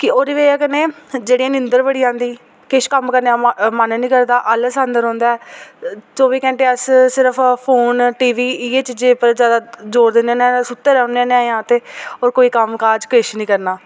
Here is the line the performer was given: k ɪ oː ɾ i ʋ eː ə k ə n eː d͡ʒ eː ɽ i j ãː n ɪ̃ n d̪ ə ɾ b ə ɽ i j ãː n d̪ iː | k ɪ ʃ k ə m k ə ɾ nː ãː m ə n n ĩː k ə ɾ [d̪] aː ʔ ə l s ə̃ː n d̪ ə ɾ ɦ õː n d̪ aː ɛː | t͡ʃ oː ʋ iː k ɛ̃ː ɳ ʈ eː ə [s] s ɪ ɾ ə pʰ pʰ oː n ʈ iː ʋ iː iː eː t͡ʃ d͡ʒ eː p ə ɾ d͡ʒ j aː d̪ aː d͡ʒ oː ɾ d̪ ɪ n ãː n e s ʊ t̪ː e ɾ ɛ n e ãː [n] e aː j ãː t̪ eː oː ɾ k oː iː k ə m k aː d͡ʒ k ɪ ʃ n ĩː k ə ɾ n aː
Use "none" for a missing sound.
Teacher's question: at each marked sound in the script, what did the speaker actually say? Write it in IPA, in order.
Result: d̪, s, n

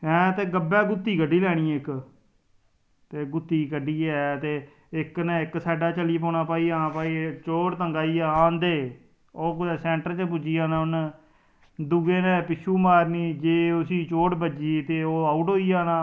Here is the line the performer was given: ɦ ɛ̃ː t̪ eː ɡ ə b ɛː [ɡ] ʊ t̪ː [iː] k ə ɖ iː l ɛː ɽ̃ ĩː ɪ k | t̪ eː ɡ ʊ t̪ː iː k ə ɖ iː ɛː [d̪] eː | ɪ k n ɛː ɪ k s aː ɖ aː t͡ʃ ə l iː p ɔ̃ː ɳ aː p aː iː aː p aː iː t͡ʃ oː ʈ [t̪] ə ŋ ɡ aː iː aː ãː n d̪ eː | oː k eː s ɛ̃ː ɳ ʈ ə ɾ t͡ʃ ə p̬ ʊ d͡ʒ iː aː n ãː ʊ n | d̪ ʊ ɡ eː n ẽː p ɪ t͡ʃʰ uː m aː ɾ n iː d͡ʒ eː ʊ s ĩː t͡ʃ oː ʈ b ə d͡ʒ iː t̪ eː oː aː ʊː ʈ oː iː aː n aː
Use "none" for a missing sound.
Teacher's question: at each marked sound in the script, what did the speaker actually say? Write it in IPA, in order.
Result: ɡ, iː, t̪, t̪

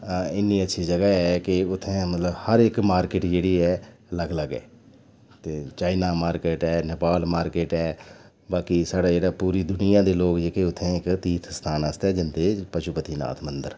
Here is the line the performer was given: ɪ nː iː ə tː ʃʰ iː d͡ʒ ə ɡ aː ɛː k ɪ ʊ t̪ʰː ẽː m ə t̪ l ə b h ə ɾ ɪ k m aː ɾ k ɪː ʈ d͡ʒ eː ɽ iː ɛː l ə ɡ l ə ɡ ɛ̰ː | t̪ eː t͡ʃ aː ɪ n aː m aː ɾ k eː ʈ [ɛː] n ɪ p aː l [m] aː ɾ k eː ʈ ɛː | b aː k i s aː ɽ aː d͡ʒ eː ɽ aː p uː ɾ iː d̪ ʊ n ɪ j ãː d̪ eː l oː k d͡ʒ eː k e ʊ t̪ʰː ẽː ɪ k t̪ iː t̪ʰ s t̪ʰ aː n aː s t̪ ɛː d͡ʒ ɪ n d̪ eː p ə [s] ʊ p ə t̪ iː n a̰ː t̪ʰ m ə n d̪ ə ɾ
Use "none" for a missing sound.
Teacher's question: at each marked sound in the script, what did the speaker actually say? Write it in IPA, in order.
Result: ɛː, m, ʃ

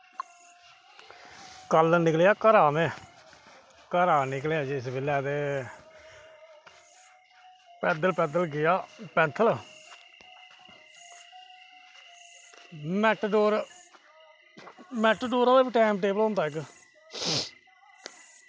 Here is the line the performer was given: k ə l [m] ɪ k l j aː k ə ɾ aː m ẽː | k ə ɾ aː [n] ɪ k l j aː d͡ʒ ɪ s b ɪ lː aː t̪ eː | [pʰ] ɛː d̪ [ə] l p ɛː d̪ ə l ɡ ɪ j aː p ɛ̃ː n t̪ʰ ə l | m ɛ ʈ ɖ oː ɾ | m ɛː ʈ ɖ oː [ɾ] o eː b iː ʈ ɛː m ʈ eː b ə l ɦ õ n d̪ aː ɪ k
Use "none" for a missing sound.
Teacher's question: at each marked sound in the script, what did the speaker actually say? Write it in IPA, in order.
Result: n, n, p, ə, ɾ

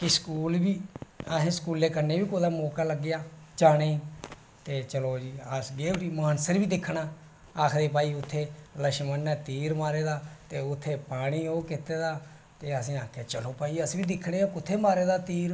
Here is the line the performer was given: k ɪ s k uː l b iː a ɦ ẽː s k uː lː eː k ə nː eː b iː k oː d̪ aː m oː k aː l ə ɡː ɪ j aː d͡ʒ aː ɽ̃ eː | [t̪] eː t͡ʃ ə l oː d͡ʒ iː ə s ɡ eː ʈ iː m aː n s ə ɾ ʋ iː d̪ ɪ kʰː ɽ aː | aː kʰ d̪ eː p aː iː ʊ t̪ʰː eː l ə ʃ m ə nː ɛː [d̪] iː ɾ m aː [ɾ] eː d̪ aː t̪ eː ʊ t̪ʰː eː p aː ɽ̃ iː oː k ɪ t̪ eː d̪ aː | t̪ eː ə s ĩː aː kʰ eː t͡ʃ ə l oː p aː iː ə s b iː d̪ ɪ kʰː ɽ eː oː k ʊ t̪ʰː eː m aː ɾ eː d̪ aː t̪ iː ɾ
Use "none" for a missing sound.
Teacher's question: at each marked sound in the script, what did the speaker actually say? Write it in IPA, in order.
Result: t̪, t̪, ɾ

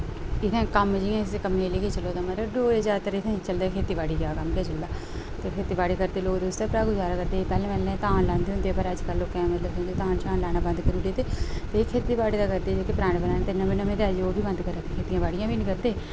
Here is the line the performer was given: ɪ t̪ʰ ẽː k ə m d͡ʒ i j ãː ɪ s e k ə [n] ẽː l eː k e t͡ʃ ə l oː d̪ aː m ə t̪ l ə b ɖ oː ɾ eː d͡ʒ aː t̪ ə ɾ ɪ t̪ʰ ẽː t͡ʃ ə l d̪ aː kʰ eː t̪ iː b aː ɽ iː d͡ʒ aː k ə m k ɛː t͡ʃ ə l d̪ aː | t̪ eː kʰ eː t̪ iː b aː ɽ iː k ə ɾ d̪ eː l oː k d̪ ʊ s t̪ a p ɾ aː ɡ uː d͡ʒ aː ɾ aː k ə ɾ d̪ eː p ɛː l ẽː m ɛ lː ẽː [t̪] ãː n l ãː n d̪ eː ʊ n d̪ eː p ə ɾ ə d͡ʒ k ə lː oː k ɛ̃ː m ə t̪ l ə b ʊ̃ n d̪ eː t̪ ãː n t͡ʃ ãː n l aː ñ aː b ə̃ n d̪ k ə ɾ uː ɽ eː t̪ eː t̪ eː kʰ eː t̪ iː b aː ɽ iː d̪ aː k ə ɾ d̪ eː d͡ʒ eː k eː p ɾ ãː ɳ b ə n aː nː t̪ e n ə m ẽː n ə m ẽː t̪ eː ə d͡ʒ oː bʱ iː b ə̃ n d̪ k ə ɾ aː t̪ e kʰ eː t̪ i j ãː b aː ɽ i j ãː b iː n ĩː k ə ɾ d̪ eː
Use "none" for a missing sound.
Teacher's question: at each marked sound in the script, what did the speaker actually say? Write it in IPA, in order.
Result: m, t̪

